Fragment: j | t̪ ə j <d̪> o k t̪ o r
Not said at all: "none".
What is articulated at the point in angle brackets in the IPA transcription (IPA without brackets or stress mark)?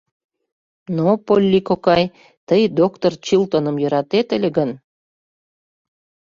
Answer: d̪